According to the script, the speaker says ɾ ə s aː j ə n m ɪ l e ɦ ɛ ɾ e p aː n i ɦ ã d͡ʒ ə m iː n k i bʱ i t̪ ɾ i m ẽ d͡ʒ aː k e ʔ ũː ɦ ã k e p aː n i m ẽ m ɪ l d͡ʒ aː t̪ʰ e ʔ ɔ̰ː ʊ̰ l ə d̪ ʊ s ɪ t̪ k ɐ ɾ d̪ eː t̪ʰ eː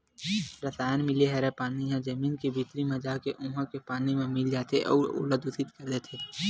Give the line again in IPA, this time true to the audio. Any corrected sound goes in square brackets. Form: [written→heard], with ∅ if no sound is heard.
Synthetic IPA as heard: ɾ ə s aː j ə n m ɪ l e ɦ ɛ ɾ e p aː n i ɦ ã d͡ʒ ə m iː n k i bʱ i t̪ ɾ i m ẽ d͡ʒ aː k e ʔ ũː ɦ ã k e p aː n i m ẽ m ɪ l d͡ʒ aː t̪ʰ e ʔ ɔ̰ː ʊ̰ l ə d̪ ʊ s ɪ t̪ k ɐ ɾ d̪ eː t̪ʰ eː

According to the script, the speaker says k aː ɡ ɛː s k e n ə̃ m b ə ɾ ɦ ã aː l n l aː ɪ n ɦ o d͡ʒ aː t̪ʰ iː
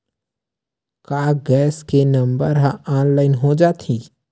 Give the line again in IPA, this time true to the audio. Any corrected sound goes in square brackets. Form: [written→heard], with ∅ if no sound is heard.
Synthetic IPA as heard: k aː ɡ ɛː s k e n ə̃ m b ə ɾ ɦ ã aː [l→∅] n l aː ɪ n ɦ o d͡ʒ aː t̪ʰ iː

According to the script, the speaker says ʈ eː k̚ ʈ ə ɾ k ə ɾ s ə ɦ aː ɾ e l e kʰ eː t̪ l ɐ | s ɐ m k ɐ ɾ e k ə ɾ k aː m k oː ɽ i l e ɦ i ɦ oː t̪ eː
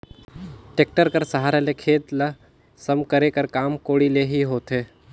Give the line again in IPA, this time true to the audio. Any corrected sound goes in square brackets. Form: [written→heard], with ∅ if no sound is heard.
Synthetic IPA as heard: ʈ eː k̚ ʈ ə ɾ k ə ɾ s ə ɦ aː ɾ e l e kʰ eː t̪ l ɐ | s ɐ m k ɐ ɾ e k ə ɾ k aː m k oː ɽ i l e ɦ i ɦ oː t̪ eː

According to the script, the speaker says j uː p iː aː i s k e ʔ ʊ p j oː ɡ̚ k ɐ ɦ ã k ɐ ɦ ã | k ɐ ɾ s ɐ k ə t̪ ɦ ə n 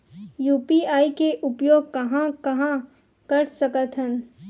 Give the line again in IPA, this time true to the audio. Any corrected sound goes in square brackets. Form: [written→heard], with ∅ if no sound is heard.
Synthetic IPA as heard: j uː p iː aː i [s→∅] k e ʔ ʊ p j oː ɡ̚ k ɐ ɦ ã k ɐ ɦ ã | k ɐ ɾ s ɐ k ə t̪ ɦ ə n

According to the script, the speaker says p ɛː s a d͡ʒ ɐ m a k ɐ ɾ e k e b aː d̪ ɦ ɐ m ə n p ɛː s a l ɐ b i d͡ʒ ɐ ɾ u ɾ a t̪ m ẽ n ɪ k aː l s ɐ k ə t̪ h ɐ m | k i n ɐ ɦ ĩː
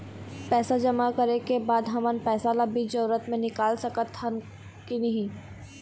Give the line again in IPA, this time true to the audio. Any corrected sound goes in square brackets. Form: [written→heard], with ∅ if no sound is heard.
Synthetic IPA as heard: p ɛː s a d͡ʒ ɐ m a k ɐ ɾ e k e b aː d̪ ɦ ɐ m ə n p ɛː s a l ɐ b i d͡ʒ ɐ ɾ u ɾ [a→ə] t̪ m ẽ n ɪ k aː l s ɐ k ə t̪ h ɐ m | k i n ɐ ɦ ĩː

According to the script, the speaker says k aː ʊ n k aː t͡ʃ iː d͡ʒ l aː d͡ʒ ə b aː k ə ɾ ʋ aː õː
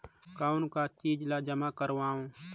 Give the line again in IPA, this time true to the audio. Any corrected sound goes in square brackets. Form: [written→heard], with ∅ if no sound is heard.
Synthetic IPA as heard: k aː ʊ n k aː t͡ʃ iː d͡ʒ l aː d͡ʒ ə [b→m] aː k ə ɾ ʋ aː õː

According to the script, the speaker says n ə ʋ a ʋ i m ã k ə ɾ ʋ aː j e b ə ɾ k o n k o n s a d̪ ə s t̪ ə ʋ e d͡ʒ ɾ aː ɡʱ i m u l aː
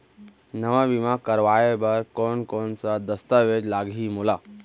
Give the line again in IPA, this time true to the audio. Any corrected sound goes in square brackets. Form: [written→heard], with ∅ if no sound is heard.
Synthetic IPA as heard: n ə ʋ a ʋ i m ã k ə ɾ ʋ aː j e b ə ɾ k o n k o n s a d̪ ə s t̪ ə ʋ e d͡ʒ [ɾ→l] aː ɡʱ i m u l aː

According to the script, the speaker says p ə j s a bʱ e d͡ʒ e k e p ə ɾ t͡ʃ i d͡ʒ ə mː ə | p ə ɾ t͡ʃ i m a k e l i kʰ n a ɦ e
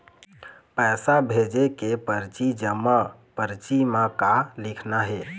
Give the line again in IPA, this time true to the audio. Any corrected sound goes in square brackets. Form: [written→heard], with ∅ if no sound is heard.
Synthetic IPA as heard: p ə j s a bʱ e d͡ʒ e k e p ə ɾ t͡ʃ i d͡ʒ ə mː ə | p ə ɾ t͡ʃ i m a k [e→a] l i kʰ n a ɦ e

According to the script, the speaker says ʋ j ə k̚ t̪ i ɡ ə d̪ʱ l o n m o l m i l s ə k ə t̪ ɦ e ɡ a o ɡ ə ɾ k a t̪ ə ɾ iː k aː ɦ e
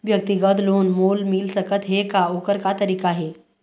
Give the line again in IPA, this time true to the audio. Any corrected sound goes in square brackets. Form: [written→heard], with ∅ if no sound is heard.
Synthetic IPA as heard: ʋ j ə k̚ t̪ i ɡ ə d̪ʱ l o n m o l m i l s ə k ə t̪ ɦ e [ɡ→k] a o [ɡ→k] ə ɾ k a t̪ ə ɾ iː k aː ɦ e

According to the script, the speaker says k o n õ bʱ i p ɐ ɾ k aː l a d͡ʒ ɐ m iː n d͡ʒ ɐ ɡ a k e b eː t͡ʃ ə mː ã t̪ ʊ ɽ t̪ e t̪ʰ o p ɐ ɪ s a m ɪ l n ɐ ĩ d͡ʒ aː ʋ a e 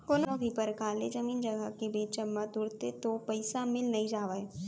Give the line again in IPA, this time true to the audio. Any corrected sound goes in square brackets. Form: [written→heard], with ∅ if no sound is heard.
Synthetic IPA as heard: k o n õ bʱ i p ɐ ɾ k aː l [a→e] d͡ʒ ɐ m iː n d͡ʒ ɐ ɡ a k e b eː t͡ʃ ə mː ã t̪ ʊ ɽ t̪ e [t̪ʰ→t̪] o p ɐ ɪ s a m ɪ l n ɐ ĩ d͡ʒ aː ʋ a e

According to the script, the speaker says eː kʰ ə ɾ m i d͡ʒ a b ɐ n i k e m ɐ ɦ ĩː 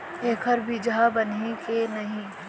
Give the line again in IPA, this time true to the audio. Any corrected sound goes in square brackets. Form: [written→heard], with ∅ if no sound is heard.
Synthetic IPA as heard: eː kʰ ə ɾ [m→b] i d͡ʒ a b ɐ n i k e [m→n] ɐ ɦ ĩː

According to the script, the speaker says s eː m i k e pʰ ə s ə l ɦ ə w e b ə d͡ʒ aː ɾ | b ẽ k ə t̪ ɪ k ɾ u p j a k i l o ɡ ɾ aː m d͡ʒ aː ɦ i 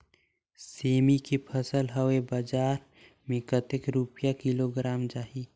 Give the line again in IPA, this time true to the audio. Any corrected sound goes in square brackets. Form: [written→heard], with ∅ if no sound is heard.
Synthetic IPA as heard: s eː m i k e pʰ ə s ə l ɦ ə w e b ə d͡ʒ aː ɾ | [b→m] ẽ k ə t̪ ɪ k ɾ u p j a k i l o ɡ ɾ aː m d͡ʒ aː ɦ i

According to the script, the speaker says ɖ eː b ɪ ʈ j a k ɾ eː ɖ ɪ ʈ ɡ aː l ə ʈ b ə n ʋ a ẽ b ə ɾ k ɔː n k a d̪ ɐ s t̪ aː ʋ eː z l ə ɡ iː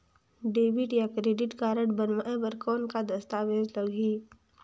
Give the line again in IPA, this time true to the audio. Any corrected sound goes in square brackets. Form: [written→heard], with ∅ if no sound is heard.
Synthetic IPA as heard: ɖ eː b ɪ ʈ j a k ɾ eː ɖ ɪ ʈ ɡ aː [l→ɾ] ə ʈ b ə n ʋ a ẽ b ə ɾ k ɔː n k a d̪ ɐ s t̪ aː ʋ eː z l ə ɡ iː

